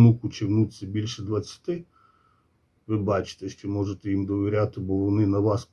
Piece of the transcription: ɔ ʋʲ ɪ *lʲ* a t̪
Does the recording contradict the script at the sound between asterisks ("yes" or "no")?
yes